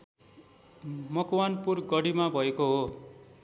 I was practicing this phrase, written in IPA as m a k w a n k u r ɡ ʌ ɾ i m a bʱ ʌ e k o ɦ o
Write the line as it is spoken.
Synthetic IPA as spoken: m ʌ k w a n p u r ɡ ʌ ɽ i m a bʱ ʌ e k o ɦ o